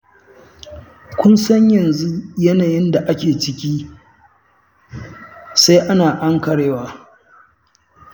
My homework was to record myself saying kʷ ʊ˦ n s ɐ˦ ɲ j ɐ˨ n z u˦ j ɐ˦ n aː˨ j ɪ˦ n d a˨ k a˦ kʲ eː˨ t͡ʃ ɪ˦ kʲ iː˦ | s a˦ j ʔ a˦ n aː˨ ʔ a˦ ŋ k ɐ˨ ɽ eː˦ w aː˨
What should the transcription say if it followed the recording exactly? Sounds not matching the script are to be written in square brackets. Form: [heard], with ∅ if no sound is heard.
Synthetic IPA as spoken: kʷ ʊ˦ n s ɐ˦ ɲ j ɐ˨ n z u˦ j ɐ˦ n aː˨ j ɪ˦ n d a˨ [ʔ] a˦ kʲ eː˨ t͡ʃ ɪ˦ kʲ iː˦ | s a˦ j ʔ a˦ n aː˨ ʔ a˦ ŋ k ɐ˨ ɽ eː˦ w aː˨